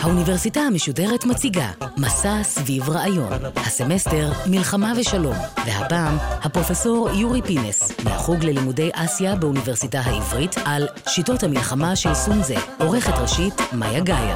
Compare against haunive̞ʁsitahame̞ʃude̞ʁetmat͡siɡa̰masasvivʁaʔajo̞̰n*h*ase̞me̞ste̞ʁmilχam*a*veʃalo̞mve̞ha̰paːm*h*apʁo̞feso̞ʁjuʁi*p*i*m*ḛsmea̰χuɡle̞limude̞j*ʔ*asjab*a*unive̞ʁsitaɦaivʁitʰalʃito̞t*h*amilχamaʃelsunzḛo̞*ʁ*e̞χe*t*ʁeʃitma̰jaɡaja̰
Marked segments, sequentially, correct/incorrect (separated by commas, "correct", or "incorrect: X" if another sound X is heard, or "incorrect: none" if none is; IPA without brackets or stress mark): correct, correct, correct, correct, incorrect: n, correct, incorrect: e, correct, correct, correct